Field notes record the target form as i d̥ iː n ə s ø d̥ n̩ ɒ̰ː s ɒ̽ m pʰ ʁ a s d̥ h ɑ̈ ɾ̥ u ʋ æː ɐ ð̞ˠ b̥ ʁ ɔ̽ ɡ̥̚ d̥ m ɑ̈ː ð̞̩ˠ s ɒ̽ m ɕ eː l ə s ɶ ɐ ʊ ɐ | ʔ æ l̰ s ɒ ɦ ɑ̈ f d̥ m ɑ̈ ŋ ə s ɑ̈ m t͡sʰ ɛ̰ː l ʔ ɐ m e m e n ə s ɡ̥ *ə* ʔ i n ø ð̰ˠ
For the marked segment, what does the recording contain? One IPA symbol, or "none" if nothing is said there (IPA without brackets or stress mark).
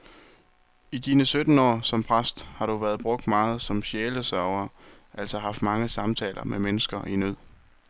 ɐ